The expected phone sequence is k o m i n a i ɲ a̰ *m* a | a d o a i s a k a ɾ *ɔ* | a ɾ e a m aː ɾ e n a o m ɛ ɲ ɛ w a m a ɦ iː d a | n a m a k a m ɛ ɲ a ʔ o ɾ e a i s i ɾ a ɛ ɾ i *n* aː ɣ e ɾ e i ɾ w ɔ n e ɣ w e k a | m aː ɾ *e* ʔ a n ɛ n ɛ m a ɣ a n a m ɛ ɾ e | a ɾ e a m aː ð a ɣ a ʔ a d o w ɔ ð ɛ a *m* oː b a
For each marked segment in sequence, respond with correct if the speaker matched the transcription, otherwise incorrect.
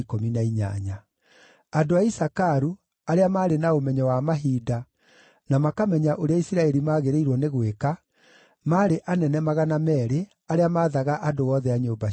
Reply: incorrect: ɲ, incorrect: u, incorrect: m, correct, incorrect: ɲ

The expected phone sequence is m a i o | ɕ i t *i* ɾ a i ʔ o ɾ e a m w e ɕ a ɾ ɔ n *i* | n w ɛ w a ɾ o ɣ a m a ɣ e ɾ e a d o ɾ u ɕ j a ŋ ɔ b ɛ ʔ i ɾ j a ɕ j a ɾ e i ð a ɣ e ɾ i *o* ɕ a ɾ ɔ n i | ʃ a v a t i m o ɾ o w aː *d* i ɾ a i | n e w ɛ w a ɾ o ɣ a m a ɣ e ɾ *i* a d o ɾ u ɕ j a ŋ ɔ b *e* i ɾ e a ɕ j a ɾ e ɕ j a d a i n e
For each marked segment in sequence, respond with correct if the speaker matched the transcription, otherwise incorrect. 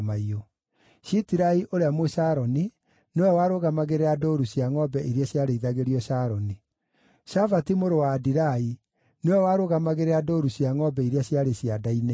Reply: correct, correct, incorrect: ɔ, correct, incorrect: e, incorrect: ɛ

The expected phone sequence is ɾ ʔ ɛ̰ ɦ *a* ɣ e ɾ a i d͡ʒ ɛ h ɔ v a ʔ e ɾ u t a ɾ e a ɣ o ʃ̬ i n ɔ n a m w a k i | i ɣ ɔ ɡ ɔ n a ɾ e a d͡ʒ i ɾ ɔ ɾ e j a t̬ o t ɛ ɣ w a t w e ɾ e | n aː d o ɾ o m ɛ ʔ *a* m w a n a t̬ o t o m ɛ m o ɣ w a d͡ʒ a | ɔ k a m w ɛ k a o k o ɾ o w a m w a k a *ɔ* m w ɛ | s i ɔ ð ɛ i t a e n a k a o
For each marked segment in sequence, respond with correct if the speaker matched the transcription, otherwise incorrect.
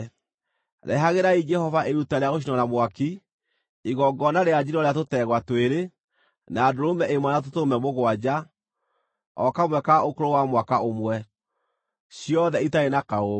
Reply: correct, incorrect: e, incorrect: o

